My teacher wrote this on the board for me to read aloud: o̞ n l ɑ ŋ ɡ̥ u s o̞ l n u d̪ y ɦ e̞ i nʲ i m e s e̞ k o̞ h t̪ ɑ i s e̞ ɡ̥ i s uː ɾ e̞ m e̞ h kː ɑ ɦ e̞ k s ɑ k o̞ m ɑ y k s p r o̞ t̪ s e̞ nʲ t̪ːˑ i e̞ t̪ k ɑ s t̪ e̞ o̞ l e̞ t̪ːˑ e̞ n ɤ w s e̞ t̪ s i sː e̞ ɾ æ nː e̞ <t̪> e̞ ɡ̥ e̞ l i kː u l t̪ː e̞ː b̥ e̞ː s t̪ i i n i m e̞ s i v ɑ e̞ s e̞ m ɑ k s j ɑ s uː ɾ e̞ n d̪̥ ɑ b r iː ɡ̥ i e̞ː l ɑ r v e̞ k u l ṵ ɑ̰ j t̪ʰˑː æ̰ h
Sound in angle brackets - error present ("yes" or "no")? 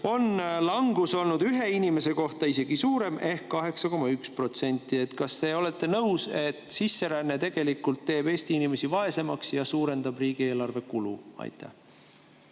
no